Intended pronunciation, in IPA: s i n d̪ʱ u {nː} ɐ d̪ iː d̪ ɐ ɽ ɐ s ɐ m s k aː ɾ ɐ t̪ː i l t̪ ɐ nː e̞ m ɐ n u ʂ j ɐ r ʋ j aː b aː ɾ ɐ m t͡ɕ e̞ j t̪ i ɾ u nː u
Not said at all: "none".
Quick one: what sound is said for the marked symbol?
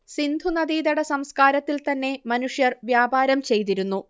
n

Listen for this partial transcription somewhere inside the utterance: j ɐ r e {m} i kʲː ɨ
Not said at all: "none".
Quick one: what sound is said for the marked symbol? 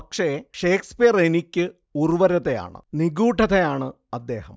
n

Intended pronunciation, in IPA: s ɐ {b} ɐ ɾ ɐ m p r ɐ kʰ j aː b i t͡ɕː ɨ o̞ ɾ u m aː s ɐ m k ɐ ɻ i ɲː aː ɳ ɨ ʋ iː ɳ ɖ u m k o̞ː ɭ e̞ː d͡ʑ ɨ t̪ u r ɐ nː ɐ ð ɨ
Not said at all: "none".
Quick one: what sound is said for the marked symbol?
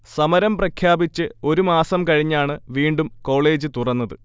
m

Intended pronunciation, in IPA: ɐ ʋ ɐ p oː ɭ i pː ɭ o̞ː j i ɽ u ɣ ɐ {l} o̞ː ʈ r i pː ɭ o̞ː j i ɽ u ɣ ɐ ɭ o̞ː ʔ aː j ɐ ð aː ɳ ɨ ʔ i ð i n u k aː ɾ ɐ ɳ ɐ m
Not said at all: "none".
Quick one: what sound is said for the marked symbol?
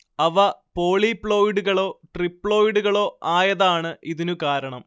ɭ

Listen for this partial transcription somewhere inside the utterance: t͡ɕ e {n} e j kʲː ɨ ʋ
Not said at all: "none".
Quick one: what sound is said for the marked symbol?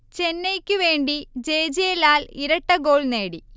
nː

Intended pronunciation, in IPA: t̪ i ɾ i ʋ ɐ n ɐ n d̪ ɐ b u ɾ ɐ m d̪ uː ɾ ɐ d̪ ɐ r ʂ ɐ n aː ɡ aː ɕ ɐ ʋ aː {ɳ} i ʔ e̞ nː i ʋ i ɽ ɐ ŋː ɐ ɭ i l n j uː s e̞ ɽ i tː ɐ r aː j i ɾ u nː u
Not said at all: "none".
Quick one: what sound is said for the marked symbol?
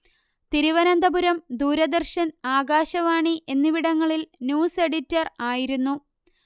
ɳ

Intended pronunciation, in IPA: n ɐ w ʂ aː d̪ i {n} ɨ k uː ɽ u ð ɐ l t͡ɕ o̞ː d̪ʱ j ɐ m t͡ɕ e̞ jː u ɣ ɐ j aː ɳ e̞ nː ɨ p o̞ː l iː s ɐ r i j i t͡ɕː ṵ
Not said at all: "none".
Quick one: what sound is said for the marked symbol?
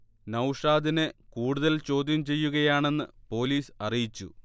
n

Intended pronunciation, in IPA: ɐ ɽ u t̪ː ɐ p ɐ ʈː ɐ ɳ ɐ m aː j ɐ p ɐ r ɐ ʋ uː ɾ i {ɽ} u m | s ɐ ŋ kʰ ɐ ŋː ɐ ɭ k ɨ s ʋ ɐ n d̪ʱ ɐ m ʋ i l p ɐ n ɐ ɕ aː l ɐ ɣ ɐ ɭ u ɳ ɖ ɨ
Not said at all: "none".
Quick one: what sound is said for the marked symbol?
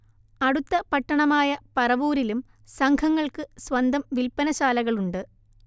l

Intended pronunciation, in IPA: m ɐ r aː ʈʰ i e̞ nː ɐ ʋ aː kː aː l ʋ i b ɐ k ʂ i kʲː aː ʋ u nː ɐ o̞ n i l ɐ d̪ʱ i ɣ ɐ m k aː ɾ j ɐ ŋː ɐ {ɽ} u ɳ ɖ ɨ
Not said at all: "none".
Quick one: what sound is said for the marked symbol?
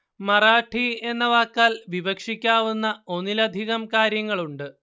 ɭ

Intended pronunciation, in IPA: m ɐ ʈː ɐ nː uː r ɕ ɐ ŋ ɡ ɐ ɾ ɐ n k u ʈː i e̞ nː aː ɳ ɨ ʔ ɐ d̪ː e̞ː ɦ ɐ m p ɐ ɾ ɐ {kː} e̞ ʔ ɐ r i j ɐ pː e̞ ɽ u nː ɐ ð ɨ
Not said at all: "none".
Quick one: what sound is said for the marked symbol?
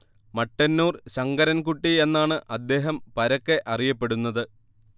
kː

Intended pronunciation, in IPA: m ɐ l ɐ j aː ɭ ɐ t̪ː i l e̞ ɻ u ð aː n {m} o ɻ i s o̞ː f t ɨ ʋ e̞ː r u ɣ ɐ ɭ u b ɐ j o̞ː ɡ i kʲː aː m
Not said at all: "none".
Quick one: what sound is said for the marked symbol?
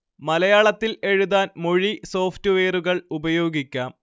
m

